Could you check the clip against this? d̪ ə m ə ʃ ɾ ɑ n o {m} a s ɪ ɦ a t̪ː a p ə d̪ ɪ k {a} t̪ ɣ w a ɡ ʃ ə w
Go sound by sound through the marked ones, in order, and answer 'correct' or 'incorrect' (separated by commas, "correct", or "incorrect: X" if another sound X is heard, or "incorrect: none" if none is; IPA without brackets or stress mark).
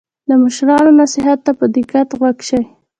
incorrect: n, correct